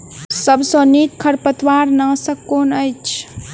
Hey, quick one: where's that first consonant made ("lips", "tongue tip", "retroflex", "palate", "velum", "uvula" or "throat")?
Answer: tongue tip